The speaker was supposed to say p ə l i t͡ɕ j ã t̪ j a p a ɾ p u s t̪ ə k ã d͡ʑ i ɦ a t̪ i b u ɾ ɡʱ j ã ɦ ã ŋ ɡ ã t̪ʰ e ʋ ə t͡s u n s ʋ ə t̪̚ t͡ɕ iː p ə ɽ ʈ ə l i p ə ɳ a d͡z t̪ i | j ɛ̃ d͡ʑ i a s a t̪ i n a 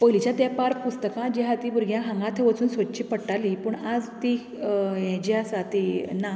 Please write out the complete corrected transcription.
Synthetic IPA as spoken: p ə l i t͡ɕ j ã t̪ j a p a ɾ p u s t̪ ə k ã d͡ʑ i ɦ a t̪ i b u ɾ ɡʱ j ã ɦ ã ŋ ɡ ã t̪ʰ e ʋ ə t͡s uː n s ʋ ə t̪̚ t͡ɕ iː p ə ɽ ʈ a l i p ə ɳ a d͡z t̪ i | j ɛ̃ d͡ʑ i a s a t̪ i n a